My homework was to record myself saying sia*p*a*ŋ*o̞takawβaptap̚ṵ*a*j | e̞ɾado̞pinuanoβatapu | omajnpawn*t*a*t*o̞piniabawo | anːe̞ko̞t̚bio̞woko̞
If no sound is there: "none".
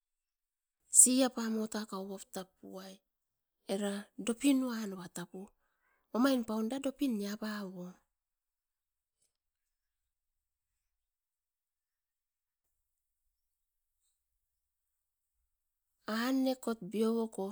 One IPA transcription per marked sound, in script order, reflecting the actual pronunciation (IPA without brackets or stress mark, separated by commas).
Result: p, m, a, d, d